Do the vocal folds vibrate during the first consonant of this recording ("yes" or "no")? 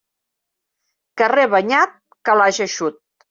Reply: no